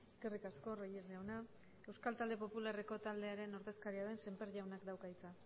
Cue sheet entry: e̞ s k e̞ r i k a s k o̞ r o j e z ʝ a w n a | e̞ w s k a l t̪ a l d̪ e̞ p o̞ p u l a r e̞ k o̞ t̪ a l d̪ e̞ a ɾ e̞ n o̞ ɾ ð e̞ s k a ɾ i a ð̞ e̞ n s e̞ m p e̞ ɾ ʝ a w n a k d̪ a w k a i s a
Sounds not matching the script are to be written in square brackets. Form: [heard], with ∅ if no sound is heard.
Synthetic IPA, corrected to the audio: e̞ s k e̞ r i k a s k o̞ r o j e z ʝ a w n a | e̞ w s k a l t̪ a l d̪ e̞ p o̞ p u l a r e̞ k o̞ t̪ a l d̪ e̞ a ɾ e̞ n o̞ ɾ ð e̞ s k a ɾ i a ð̞ e̞ n s e̞ m p e̞ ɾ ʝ a w n a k d̪ a w k a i [t͡s] a